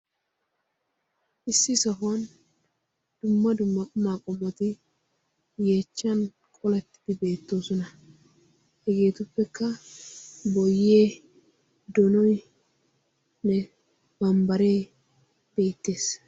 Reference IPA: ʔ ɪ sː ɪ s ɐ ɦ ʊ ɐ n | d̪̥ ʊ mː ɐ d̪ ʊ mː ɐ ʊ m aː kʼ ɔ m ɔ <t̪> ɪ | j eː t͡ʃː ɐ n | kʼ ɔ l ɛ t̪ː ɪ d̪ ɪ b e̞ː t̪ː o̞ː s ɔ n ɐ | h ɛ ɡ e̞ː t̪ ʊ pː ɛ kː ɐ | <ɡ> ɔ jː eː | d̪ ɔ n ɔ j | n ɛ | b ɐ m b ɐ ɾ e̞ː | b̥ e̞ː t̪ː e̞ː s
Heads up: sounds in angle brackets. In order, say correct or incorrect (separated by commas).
correct, incorrect